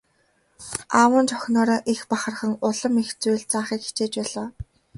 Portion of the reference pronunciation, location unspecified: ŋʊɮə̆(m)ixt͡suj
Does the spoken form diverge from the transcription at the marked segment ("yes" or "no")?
no